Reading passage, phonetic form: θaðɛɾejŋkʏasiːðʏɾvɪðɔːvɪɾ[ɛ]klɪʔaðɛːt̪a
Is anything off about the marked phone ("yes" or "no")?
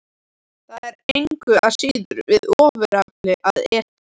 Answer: yes